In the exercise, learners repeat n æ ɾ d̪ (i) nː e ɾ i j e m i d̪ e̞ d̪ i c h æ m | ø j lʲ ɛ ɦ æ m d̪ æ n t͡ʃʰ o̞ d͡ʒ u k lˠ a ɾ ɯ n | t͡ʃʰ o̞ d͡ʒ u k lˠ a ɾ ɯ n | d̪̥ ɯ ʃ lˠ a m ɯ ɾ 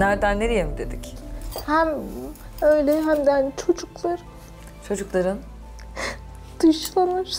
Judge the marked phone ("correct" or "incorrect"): incorrect